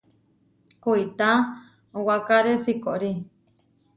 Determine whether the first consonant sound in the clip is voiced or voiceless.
voiceless